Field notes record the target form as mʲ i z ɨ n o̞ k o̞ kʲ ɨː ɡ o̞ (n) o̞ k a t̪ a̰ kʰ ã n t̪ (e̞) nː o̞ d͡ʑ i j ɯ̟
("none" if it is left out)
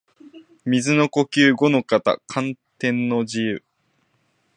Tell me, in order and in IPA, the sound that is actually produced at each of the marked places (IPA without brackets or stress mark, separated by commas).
n, ẽ̞